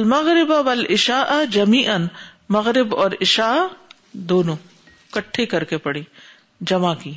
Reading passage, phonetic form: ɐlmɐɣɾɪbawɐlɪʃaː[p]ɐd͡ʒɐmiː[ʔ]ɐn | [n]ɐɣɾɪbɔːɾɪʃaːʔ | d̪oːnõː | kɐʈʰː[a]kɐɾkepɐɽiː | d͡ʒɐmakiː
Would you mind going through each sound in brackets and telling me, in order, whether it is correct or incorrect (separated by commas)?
incorrect, correct, incorrect, incorrect